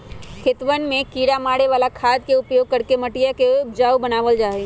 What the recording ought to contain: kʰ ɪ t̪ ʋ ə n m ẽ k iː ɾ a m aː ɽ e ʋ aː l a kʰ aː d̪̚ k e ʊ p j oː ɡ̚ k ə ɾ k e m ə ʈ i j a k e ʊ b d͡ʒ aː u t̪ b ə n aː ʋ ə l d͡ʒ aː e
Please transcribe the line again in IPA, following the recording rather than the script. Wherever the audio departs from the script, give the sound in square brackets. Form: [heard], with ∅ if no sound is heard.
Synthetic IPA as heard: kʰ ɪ t̪ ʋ ə n m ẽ k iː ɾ a m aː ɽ e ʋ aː l a kʰ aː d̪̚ k e ʊ p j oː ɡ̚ k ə ɾ k e m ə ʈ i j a k e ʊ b d͡ʒ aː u [∅] b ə n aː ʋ ə l d͡ʒ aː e